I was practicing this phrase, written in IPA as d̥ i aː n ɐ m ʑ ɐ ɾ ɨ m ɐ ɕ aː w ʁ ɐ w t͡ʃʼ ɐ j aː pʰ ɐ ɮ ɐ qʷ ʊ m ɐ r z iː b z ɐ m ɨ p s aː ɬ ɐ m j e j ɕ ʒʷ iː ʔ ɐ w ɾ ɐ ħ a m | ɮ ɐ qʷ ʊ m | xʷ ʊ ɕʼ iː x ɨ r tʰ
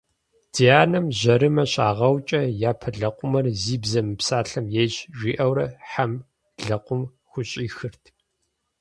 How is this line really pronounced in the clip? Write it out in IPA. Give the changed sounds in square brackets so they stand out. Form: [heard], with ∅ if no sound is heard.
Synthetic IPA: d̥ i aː n ɐ m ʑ ɐ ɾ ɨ m ɐ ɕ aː [∅] ʁ ɐ w t͡ʃʼ ɐ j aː pʰ ɐ ɮ ɐ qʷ ʊ m ɐ r z iː b z ɐ m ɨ p s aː ɬ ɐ m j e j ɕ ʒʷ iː ʔ ɐ w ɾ ɐ ħ a m | ɮ ɐ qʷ ʊ m | xʷ ʊ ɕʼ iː x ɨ r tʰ